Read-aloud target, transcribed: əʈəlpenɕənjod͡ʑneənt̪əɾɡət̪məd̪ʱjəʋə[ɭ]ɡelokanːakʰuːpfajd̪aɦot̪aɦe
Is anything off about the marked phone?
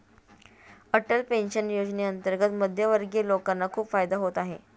yes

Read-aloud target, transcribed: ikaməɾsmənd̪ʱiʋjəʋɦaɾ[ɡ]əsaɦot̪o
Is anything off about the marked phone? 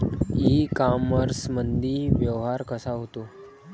yes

